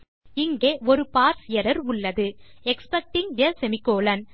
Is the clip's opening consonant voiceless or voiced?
voiced